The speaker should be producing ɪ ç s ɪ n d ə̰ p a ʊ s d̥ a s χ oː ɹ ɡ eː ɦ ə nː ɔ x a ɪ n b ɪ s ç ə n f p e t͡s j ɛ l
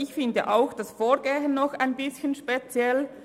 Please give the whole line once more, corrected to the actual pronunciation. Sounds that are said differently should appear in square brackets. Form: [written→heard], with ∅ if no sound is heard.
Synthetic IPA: ɪ ç [s→f] ɪ n d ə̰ [p→ʔ] a ʊ [s→x] d̥ a s [χ→f] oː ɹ ɡ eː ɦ ə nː ɔ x a ɪ n b ɪ s ç ə n [f→ʃ] p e t͡s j ɛ l